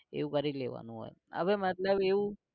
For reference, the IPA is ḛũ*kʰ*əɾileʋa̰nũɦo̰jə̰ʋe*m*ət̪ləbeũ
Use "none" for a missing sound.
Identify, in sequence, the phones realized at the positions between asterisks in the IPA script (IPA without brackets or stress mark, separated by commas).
k, m